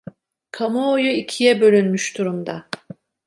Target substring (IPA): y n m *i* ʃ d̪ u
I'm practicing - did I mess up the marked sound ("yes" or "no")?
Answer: yes